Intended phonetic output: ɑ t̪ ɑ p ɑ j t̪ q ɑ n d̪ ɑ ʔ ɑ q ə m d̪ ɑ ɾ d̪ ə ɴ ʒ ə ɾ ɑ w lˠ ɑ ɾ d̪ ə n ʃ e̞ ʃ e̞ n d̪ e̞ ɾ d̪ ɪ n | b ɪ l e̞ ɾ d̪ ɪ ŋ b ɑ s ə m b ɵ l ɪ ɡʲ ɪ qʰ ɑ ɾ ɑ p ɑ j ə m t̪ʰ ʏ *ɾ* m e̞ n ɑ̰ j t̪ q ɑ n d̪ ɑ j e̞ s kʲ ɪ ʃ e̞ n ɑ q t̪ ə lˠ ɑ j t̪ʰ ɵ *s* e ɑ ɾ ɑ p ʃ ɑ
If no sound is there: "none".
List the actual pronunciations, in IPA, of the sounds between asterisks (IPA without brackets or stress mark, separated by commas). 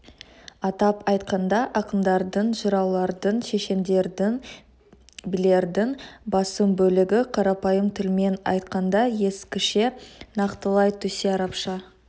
l, s